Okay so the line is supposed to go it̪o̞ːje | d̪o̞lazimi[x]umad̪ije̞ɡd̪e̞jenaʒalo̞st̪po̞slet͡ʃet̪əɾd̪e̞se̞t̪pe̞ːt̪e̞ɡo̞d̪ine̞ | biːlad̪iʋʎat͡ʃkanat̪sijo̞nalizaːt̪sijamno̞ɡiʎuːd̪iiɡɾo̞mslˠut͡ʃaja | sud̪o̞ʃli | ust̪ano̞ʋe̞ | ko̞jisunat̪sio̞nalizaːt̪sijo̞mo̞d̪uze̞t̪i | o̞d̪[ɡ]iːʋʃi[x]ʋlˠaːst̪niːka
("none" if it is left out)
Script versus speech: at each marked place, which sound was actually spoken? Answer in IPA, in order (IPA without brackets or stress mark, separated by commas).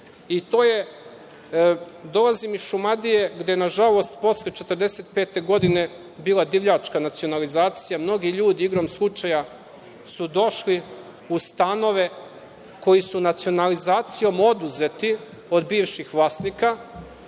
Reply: ʃ, b, x